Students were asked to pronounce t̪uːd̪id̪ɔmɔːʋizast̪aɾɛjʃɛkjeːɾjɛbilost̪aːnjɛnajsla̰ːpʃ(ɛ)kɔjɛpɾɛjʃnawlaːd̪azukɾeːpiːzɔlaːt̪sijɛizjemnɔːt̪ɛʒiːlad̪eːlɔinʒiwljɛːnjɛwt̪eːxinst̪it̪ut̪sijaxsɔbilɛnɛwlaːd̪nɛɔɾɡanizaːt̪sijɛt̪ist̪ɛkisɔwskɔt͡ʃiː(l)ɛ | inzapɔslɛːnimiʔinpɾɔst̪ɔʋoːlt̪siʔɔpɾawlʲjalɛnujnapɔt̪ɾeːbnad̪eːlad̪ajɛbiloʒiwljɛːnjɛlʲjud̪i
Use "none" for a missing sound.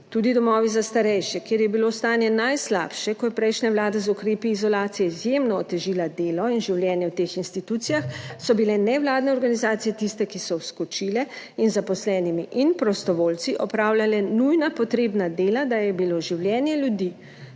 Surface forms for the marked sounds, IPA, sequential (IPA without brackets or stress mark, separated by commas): ɛ, l